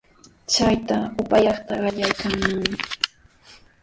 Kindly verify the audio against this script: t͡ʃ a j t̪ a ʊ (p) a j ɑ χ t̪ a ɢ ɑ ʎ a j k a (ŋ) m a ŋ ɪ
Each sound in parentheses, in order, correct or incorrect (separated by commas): correct, correct